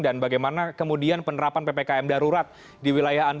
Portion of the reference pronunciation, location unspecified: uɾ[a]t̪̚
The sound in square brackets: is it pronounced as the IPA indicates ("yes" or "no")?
yes